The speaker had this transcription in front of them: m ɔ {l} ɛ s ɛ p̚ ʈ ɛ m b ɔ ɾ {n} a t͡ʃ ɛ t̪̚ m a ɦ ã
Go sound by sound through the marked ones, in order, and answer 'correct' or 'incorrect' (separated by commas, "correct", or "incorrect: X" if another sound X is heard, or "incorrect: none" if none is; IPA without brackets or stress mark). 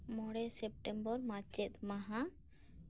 incorrect: ɽ, incorrect: m